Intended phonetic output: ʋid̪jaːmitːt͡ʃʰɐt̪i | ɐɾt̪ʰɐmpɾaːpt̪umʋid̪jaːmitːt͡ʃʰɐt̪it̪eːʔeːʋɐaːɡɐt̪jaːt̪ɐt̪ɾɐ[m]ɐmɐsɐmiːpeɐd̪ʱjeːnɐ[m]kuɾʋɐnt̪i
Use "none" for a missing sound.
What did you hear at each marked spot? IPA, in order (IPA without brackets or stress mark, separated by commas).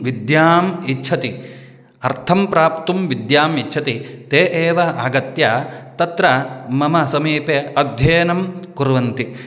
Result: m, m